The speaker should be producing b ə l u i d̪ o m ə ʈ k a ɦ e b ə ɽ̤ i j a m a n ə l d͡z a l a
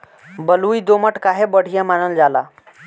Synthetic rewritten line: b ə l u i d̪ o m ə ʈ k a ɦ e b ə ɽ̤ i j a m a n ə l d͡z a l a